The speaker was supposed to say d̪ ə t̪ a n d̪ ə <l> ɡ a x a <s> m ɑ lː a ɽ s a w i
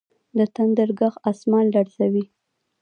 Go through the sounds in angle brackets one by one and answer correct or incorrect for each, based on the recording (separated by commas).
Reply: incorrect, correct